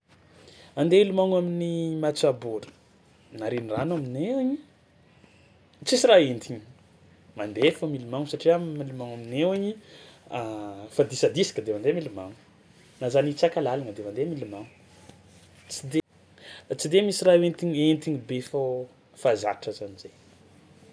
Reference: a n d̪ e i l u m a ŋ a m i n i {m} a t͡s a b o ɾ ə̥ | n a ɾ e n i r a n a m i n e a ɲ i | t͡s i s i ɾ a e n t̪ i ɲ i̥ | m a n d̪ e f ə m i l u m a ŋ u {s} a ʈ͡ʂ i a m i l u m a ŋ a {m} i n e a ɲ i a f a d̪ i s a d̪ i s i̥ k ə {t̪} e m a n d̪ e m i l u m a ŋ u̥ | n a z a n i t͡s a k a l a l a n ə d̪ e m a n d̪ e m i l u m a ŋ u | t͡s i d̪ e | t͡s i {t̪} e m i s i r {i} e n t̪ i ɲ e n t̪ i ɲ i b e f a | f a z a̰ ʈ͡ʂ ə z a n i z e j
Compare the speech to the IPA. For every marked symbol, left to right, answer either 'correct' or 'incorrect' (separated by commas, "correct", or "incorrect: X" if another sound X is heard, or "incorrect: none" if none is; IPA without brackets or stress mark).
correct, correct, correct, incorrect: d̪, incorrect: d̪, incorrect: a